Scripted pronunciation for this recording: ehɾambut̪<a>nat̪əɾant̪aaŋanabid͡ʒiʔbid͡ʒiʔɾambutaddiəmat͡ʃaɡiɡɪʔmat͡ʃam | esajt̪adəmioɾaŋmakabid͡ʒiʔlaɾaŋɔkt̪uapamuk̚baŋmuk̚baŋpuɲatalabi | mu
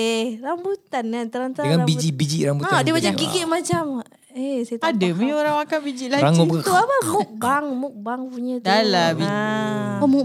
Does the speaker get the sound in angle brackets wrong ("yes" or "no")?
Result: no